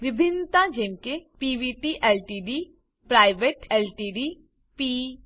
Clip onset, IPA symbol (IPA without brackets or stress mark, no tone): ʋ